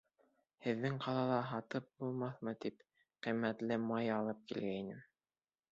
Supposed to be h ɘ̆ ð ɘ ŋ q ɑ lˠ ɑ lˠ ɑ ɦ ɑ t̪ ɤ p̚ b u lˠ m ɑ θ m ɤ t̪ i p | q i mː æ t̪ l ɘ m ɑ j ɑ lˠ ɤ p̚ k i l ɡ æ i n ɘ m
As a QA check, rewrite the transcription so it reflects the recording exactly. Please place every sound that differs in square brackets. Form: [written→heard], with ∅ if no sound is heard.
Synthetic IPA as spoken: h ɘ̆ [ð→ðː] ɘ ŋ q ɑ lˠ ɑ lˠ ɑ ɦ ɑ t̪ ɤ p̚ b u lˠ m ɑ θ m ɤ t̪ i p | q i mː æ t̪ l ɘ m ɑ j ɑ lˠ ɤ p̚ k i l ɡ æ i n ɘ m